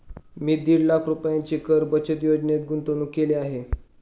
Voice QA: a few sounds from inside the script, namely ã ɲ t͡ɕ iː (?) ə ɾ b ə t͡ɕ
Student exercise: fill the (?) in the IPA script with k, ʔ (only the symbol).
k